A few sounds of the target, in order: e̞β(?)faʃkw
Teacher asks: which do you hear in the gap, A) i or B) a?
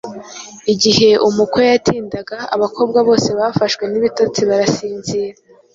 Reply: B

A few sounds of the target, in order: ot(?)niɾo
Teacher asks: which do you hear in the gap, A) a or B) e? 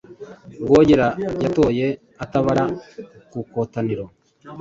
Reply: A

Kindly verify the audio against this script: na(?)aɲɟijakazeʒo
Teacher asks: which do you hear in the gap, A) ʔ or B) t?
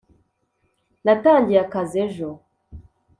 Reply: B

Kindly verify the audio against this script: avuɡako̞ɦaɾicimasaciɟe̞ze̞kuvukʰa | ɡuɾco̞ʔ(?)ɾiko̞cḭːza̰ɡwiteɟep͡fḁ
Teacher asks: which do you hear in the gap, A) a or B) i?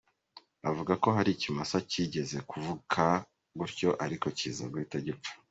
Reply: A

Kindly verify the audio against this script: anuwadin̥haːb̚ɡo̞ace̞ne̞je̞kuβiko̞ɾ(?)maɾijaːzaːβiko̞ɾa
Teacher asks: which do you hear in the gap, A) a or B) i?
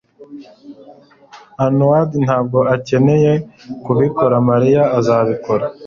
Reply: A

